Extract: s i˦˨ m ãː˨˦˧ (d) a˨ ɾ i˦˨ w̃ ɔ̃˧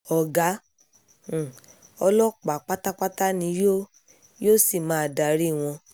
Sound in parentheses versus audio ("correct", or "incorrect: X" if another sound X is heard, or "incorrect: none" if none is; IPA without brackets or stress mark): correct